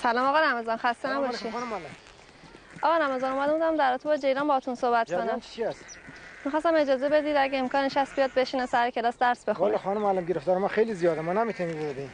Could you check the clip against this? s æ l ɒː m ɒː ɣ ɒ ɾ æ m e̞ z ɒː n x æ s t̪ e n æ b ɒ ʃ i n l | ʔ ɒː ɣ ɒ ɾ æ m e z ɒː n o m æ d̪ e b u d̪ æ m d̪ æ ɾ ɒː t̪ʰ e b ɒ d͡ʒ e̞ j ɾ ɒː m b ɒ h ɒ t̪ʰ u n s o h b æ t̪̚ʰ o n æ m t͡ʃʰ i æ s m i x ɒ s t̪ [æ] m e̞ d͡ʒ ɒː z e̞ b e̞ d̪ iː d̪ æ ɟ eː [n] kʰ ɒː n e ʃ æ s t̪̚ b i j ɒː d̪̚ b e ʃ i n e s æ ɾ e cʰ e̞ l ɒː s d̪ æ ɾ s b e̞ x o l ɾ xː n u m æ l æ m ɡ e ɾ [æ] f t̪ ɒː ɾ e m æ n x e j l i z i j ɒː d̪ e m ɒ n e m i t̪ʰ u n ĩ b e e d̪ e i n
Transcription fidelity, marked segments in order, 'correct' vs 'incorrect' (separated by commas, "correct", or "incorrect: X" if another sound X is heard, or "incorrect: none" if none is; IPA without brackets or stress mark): correct, incorrect: m, incorrect: e